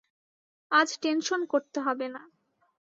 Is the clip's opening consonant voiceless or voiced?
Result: voiced